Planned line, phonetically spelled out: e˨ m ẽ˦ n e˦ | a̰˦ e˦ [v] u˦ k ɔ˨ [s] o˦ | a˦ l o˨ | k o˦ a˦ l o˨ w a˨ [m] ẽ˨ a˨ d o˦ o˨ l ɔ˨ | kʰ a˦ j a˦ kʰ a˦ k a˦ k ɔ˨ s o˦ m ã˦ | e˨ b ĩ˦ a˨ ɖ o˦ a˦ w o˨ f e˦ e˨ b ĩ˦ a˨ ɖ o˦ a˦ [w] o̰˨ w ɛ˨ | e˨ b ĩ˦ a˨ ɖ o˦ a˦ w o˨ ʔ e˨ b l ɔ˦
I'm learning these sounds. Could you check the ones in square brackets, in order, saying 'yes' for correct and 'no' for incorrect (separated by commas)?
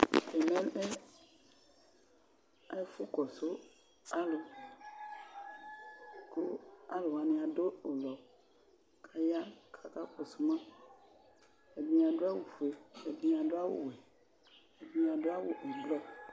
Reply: no, yes, no, yes